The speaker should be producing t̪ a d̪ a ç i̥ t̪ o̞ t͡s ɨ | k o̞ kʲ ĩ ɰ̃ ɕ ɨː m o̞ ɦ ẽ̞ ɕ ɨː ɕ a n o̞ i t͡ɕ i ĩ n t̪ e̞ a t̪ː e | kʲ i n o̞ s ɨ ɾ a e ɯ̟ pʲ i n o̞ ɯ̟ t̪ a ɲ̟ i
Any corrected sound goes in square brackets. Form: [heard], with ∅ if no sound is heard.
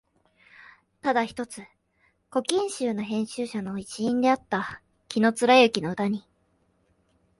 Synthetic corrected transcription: t̪ a d̪ a ç i̥ t̪ o̞ t͡s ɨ | k o̞ kʲ ĩ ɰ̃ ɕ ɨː [n] o̞ ɦ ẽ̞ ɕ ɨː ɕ a n o̞ i t͡ɕ i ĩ n [d̪] e̞ a t̪ː [a] | kʲ i n o̞ [t͡s] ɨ ɾ a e ɯ̟ [kʲ] i n o̞ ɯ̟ t̪ a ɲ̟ i